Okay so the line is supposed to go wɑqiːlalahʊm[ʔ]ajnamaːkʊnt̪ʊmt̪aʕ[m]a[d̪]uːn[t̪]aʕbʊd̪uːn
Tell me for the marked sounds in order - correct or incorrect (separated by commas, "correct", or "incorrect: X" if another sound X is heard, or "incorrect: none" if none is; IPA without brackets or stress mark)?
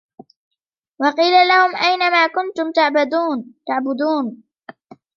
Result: correct, incorrect: b, correct, correct